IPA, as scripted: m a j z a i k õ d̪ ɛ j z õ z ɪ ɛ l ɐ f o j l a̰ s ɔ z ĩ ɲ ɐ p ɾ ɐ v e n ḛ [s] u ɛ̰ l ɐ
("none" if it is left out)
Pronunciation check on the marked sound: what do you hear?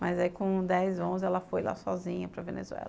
z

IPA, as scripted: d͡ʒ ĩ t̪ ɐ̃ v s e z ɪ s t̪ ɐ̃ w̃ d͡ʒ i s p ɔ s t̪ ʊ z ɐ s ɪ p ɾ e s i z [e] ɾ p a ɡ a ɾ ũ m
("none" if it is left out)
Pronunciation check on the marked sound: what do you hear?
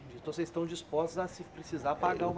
a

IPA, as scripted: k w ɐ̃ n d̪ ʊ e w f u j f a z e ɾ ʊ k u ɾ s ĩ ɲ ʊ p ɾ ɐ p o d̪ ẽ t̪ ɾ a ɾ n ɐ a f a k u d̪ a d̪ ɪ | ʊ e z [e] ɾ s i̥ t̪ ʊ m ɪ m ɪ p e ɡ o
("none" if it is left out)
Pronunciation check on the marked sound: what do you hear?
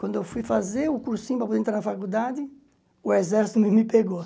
ɛ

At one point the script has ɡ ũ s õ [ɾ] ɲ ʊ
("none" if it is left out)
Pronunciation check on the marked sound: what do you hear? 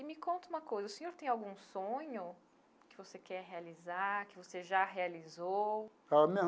none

